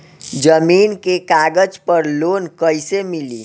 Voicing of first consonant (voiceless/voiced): voiced